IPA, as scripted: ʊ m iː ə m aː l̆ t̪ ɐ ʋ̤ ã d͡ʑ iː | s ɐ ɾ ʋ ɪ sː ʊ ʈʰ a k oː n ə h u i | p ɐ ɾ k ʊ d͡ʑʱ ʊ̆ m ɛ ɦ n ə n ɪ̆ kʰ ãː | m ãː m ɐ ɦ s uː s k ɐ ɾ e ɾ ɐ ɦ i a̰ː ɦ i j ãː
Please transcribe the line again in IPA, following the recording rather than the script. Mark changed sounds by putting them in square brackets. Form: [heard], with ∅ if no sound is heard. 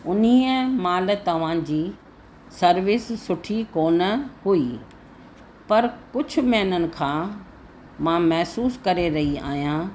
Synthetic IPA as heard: ʊ [n] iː ə m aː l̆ t̪ ɐ ʋ̤ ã d͡ʑ iː | s ɐ ɾ ʋ ɪ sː ʊ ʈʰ [i] k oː n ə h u i | p ɐ ɾ k ʊ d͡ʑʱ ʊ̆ m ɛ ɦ n ə n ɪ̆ kʰ ãː | m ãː m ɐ ɦ s uː s k ɐ ɾ e ɾ ɐ ɦ i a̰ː ɦ i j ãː

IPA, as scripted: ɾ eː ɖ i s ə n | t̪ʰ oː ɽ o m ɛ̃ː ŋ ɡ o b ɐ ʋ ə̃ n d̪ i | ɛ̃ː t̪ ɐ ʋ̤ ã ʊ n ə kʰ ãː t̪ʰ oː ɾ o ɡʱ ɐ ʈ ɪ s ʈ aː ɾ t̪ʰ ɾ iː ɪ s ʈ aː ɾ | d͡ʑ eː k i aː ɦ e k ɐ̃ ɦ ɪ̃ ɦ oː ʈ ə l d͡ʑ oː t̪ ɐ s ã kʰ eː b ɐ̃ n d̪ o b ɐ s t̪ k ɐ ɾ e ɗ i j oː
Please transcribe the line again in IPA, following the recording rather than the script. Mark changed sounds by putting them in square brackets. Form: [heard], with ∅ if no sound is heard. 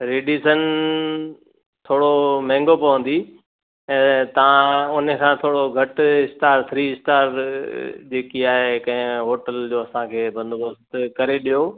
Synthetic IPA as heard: ɾ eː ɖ i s ə n | t̪ʰ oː ɽ o m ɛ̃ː ŋ ɡ o [p] ɐ ʋ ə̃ n d̪ i | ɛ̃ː t̪ ɐ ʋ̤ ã ʊ n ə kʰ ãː t̪ʰ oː [ɽ] o ɡʱ ɐ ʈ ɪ s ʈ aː ɾ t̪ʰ ɾ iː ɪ s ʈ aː ɾ | d͡ʑ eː k i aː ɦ e k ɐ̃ ɦ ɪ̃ ɦ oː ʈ ə l d͡ʑ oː [∅] ɐ s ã kʰ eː b ɐ̃ n d̪ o b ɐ s t̪ k ɐ ɾ e ɗ i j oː

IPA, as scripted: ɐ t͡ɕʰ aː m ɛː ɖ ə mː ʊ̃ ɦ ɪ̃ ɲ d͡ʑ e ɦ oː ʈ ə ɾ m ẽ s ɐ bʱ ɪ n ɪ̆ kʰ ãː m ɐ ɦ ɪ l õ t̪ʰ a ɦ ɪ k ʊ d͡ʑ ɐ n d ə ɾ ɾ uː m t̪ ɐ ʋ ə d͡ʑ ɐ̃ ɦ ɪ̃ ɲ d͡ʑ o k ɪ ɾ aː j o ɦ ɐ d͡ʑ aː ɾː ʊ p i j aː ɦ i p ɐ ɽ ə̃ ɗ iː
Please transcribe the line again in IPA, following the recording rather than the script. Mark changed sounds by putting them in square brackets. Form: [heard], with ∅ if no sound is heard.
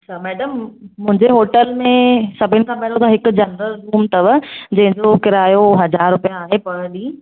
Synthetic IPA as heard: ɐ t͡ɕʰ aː m ɛː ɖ ə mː ʊ̃ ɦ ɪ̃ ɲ d͡ʑ e ɦ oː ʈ ə [l] m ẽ s ɐ bʱ ɪ n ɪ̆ kʰ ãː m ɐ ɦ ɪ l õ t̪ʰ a ɦ ɪ k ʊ d͡ʑ ɐ n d ə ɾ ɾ uː m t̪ ɐ ʋ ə d͡ʑ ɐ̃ ɦ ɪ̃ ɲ d͡ʑ o k ɪ ɾ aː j o ɦ ɐ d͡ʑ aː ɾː ʊ p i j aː ɦ [e] p ɐ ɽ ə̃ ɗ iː

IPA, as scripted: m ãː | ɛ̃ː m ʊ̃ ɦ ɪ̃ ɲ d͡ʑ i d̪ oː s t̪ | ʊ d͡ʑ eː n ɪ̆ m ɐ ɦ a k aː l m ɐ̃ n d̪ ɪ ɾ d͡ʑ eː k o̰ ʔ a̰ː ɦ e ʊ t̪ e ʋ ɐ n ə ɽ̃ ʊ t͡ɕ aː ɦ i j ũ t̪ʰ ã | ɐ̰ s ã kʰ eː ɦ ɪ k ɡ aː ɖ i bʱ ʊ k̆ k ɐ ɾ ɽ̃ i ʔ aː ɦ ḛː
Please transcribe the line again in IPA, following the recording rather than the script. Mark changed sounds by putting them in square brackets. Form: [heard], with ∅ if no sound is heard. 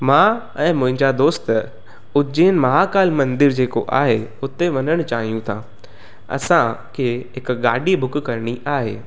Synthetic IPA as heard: m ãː | ɛ̃ː m ʊ̃ ɦ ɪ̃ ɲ d͡ʑ [a] d̪ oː s t̪ | ʊ d͡ʑ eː n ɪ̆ m ɐ ɦ a k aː l m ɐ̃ n d̪ ɪ ɾ d͡ʑ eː k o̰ ʔ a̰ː ɦ e ʊ t̪ e ʋ ɐ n ə ɽ̃ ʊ t͡ɕ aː ɦ i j ũ t̪ʰ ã | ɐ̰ s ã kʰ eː ɦ ɪ k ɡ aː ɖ i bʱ ʊ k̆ k ɐ ɾ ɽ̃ i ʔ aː ɦ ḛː

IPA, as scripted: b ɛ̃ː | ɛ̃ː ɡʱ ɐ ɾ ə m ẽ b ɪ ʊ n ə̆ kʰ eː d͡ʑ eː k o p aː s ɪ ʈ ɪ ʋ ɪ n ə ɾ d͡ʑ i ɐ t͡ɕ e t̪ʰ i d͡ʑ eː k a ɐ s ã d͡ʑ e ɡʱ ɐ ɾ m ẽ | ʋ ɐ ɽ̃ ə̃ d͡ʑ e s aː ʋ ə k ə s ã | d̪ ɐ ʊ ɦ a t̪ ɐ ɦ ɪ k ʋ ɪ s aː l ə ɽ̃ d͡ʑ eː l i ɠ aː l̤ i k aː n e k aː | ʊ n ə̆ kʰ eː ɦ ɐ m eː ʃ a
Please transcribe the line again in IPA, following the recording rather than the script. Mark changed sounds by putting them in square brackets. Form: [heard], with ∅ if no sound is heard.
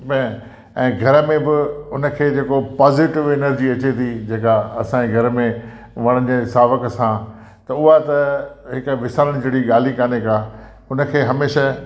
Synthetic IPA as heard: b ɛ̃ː | ɛ̃ː ɡʱ ɐ ɾ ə m ẽ b ɪ ʊ n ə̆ kʰ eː d͡ʑ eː k o p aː [z] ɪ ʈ ɪ ʋ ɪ n ə ɾ d͡ʑ i ɐ t͡ɕ e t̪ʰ i d͡ʑ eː k a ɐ s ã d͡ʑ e ɡʱ ɐ ɾ m ẽ | ʋ ɐ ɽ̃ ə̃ d͡ʑ e s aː ʋ ə k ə s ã | [t̪] ɐ ʊ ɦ a t̪ ɐ ɦ ɪ k ʋ ɪ s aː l ə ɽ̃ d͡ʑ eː [ɽ] i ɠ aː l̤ i k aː n e k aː | ʊ n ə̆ kʰ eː ɦ ɐ m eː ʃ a

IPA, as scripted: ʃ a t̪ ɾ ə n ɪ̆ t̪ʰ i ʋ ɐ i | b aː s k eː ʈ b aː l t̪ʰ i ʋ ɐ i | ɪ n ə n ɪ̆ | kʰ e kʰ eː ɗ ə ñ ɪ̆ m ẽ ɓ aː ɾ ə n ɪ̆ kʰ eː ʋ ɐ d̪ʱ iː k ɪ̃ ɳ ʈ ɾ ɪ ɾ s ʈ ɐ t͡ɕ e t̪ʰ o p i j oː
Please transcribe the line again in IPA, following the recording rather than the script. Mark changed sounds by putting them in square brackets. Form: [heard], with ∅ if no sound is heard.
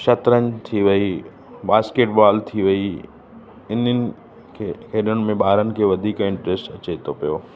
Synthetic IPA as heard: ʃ [ɐ] t̪ ɾ ə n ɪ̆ t̪ʰ i ʋ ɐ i | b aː s k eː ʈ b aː l t̪ʰ i ʋ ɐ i | ɪ n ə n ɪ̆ | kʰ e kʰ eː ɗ ə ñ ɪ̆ m ẽ ɓ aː ɾ ə n ɪ̆ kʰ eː ʋ ɐ d̪ʱ iː k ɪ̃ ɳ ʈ ɾ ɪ [∅] s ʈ ɐ t͡ɕ e t̪ʰ o p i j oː

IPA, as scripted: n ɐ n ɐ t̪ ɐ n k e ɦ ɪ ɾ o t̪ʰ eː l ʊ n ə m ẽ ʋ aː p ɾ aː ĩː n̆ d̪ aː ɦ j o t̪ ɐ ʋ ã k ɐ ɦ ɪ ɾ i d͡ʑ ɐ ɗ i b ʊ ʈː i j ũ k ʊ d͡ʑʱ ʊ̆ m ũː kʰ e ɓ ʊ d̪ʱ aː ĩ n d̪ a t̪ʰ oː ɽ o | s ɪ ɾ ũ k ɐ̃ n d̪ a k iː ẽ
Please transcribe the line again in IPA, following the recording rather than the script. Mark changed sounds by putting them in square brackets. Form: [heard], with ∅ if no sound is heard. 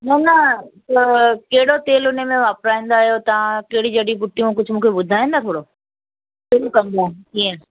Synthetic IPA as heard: n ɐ n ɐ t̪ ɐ [∅] k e ɦ ɪ [ɽ] o [t̪] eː l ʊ n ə m ẽ ʋ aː p ɾ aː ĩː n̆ d̪ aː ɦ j o t̪ ɐ ʋ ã k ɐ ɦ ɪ [ɽ] i d͡ʑ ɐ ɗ i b ʊ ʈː i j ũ k ʊ d͡ʑʱ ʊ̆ m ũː kʰ e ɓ ʊ d̪ʱ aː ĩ n d̪ a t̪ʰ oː ɽ o | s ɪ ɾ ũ k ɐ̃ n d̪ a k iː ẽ

